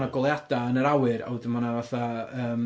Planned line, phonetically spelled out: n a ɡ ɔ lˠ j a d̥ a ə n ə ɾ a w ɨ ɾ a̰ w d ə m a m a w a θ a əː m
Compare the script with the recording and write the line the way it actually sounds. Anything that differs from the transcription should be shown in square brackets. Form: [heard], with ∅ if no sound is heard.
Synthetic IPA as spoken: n a ɡ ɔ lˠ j a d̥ a ə n ə ɾ a w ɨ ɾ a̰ w d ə m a [n] a [v] a θ a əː m